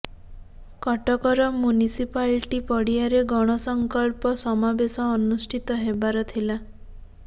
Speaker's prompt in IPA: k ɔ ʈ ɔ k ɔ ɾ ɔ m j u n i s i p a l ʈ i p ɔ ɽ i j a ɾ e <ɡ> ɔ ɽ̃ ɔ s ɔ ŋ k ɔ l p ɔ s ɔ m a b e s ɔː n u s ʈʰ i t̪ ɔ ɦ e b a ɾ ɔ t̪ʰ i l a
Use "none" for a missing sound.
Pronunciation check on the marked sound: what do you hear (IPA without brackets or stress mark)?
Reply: ɡ